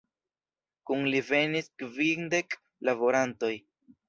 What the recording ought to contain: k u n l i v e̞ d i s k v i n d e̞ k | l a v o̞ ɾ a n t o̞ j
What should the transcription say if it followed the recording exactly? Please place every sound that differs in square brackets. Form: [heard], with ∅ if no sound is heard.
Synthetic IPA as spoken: k u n l i v e̞ [n] i s k v i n d e̞ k | l a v o̞ ɾ a n t o̞ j